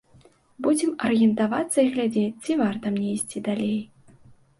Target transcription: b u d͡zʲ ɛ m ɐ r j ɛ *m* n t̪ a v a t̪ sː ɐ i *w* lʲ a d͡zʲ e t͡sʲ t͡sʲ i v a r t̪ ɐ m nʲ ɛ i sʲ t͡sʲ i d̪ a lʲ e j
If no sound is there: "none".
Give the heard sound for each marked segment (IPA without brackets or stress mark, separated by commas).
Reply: none, ɣ